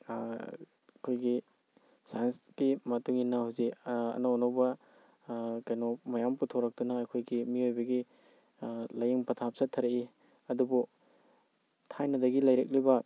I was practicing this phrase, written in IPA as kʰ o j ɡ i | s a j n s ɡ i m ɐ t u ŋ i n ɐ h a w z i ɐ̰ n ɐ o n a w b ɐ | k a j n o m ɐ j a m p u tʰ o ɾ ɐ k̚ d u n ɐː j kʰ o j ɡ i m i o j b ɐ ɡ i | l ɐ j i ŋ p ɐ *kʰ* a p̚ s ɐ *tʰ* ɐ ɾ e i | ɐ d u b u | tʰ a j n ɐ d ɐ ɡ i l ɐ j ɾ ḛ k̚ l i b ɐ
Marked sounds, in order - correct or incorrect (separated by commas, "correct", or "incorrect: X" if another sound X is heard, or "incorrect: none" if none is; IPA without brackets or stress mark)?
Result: incorrect: tʰ, correct